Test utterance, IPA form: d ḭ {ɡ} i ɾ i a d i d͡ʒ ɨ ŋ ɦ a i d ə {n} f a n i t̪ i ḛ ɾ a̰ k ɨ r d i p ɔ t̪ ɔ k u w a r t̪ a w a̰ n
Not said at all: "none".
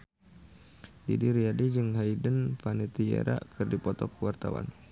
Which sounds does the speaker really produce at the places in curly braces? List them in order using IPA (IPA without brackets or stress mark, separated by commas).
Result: d, n